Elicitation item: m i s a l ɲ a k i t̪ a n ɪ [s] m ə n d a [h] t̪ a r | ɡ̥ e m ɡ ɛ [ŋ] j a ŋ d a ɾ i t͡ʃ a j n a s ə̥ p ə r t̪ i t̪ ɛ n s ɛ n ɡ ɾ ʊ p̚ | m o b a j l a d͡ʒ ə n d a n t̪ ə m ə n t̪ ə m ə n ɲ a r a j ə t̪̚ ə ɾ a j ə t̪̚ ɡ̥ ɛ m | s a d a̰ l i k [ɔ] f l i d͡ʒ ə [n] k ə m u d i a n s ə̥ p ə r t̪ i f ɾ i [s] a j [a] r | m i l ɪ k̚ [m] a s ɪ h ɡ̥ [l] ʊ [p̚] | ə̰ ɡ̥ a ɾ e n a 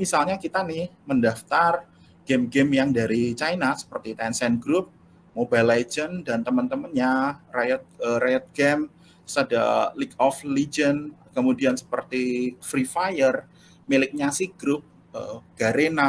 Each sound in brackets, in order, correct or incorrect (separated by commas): incorrect, incorrect, incorrect, correct, correct, incorrect, incorrect, incorrect, incorrect, correct